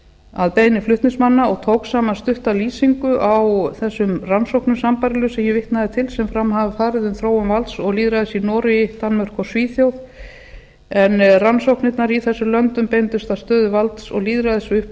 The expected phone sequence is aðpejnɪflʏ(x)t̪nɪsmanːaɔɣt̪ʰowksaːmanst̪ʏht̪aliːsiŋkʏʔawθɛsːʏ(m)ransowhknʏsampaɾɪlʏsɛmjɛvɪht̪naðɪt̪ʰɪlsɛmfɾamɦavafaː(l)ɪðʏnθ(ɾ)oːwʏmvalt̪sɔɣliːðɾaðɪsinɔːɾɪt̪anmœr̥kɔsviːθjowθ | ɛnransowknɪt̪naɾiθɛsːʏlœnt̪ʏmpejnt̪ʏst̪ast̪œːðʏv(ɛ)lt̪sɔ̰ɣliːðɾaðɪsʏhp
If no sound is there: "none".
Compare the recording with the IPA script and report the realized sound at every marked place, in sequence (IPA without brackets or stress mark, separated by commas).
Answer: h, m, ɾ, ɾ, a